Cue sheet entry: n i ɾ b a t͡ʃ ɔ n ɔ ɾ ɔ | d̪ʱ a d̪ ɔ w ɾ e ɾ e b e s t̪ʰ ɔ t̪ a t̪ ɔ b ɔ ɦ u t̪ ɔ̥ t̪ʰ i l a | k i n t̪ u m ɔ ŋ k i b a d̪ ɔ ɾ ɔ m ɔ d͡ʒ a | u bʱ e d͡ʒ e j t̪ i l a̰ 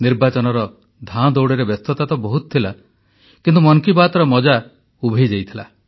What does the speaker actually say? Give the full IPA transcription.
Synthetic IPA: n i ɾ b a t͡ʃ ɔ n ɔ ɾ ɔ | d̪ʱ a d̪ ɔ w ɽ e ɾ e b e s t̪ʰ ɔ t̪ a t̪ ɔ b ɔ ɦ u t̪ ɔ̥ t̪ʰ i l a | k i n t̪ u m ɔ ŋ k i b a t̪ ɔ ɾ ɔ m ɔ d͡ʒ a | u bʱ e d͡ʒ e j t̪ʰ i l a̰